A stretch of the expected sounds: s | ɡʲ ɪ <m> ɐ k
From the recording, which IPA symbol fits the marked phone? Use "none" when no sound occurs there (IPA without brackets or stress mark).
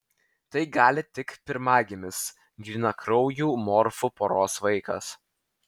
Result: n